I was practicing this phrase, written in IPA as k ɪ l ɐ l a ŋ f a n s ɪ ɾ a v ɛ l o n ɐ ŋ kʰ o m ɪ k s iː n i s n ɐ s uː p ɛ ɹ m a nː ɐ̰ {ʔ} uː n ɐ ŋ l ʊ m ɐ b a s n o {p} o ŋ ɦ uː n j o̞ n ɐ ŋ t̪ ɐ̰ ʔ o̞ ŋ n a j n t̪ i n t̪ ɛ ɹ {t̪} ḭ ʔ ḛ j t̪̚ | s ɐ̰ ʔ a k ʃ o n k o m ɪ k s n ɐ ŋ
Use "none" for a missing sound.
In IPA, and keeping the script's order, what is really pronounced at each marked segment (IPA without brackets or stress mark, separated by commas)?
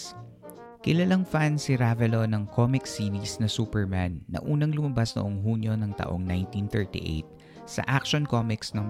ʔ, ʔ, t̪